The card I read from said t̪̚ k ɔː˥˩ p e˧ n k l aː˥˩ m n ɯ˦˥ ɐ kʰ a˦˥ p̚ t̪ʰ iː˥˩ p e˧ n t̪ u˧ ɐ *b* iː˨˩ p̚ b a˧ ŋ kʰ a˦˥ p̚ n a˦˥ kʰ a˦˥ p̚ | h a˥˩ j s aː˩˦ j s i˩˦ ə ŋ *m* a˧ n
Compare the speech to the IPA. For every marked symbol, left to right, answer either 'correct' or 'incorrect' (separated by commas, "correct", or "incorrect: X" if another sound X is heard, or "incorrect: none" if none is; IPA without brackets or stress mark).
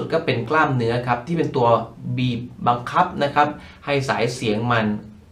correct, correct